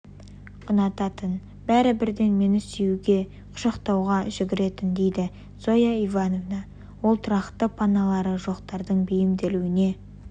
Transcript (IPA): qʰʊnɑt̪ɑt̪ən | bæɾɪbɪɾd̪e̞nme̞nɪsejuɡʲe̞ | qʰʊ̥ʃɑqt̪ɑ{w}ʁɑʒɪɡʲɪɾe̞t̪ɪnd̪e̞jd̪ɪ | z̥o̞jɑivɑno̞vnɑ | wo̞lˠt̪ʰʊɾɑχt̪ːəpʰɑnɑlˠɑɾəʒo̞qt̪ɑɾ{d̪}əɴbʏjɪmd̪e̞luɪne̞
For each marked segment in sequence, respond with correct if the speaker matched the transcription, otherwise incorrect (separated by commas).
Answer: correct, correct